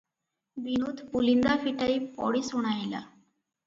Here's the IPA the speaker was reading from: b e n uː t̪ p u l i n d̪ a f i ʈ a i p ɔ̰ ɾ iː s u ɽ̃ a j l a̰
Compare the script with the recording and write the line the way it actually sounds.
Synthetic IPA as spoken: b i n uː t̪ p u l i n d̪ a f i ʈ a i p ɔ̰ ɽ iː s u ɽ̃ a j l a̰